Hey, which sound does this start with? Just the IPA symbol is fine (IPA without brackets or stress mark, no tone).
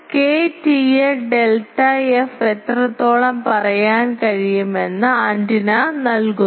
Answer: k